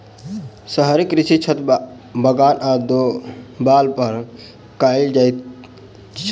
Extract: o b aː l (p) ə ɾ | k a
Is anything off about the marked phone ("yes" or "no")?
no